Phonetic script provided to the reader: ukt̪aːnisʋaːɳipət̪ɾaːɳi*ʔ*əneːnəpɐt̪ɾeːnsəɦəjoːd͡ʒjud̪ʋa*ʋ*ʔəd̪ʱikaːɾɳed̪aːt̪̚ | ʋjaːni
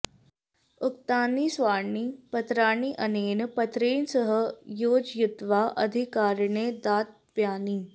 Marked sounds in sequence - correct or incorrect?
correct, incorrect: none

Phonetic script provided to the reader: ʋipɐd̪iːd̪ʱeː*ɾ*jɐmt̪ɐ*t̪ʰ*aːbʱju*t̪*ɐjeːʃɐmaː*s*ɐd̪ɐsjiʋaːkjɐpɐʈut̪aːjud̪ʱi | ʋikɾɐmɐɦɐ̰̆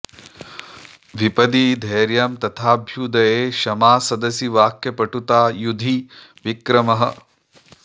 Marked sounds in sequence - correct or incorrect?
correct, correct, incorrect: d̪, correct

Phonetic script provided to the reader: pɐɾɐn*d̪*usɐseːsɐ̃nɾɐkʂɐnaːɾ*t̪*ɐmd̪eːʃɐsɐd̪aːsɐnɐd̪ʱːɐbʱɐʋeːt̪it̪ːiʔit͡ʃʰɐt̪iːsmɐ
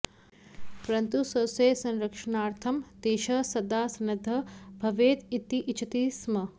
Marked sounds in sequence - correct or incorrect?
incorrect: t̪, incorrect: t̪ʰ

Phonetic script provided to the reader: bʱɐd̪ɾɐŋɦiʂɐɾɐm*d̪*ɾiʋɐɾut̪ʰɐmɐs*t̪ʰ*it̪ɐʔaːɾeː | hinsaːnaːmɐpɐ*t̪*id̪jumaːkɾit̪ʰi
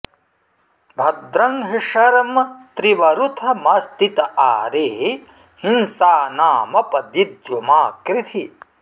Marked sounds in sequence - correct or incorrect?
incorrect: t̪, incorrect: t̪, incorrect: d̪

